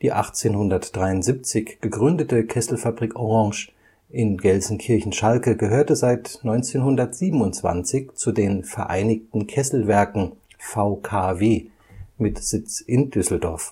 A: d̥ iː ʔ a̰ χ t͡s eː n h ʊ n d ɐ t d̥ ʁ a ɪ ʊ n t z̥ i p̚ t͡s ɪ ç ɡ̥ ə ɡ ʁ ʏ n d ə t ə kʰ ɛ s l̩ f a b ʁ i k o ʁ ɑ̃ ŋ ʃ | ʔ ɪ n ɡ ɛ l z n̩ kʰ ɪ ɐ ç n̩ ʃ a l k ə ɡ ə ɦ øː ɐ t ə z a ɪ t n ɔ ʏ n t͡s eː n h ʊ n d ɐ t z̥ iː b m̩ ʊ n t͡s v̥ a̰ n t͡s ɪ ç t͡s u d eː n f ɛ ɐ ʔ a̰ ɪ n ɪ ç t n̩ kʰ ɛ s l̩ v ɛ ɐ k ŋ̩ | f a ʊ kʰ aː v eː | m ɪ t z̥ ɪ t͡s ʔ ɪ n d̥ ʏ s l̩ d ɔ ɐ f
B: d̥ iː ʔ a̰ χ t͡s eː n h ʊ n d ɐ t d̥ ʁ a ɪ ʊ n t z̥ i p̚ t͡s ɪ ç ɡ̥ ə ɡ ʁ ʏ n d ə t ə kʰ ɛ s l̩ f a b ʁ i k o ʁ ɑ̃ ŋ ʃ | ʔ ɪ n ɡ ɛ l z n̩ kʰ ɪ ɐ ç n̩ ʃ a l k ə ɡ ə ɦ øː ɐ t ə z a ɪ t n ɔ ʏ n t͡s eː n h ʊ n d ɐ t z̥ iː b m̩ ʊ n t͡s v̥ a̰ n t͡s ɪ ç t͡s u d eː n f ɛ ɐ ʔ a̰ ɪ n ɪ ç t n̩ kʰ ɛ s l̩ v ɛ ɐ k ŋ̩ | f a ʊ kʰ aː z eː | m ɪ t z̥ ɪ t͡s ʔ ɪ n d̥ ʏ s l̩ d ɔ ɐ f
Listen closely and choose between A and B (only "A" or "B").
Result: A